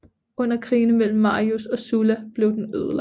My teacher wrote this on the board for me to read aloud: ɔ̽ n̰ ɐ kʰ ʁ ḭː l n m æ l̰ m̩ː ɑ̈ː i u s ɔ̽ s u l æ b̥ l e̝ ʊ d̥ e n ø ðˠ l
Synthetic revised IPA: ɔ̽ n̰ ɐ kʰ ʁ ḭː n m e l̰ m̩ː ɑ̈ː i u s ɒ̽ s u l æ b̥ l e̝ ʊ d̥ e n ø ðˠ l